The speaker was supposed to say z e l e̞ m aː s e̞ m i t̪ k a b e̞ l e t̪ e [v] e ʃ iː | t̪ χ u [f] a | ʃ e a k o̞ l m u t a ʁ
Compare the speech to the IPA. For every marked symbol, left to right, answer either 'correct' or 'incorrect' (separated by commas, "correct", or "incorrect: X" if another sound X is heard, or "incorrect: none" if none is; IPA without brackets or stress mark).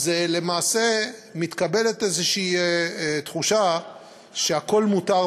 incorrect: z, incorrect: ʃ